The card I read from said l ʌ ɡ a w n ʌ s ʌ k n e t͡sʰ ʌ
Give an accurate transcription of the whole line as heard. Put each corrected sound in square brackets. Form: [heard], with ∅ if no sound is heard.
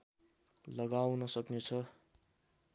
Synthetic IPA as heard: l ʌ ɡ a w n ʌ s ʌ k n e t͡sʰ ʌ